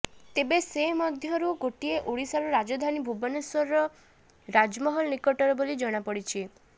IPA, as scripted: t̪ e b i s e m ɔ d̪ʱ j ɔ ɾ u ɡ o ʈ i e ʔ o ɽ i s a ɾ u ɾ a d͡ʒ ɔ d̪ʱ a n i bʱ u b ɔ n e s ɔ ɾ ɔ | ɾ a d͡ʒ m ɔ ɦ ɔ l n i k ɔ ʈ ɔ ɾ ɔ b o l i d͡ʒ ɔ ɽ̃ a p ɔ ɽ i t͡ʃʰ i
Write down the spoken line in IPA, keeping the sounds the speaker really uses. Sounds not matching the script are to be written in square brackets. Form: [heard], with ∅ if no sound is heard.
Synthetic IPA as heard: t̪ e b [e] s e m ɔ d̪ʱ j ɔ ɾ u ɡ o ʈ i e ʔ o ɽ i s a ɾ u ɾ a d͡ʒ ɔ d̪ʱ a n i bʱ u b ɔ n e s ɔ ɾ ɔ | ɾ a d͡ʒ m ɔ ɦ ɔ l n i k ɔ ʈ ɔ ɾ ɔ b o l i d͡ʒ ɔ ɽ̃ a p ɔ ɽ i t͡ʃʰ i